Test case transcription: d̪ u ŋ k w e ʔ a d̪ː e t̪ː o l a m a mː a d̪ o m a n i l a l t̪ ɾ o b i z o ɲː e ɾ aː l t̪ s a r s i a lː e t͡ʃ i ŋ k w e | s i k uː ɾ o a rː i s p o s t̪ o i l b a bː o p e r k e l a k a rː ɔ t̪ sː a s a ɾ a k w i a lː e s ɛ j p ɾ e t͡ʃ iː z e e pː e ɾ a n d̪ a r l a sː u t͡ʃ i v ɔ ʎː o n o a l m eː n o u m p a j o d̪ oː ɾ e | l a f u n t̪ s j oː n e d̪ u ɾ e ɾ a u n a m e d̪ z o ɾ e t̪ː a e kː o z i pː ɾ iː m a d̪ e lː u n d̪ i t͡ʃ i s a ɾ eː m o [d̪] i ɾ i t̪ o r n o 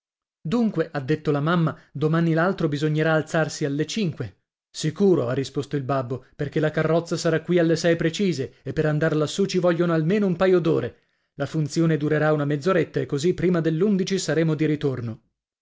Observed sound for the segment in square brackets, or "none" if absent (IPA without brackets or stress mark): d̪